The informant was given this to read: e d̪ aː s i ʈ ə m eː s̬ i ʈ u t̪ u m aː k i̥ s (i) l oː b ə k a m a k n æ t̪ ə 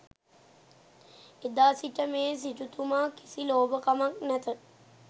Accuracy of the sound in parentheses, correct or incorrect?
correct